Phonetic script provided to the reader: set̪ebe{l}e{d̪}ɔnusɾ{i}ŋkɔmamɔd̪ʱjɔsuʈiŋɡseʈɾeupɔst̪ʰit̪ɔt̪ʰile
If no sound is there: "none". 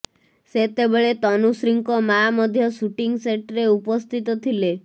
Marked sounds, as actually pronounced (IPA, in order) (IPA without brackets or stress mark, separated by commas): ɭ, t̪, i